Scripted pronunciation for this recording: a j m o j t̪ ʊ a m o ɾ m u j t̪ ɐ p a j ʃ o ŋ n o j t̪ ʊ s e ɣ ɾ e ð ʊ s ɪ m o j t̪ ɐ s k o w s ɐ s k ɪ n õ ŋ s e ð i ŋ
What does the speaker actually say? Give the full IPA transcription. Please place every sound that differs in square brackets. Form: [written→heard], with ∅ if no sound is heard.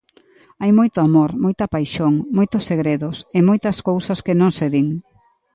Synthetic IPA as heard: a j m o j t̪ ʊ a m o ɾ m [u→o] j t̪ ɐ p a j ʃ o ŋ [n→m] o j t̪ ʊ s e ɣ ɾ e ð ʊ s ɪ m o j t̪ ɐ s k o w s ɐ s k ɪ n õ ŋ s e ð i ŋ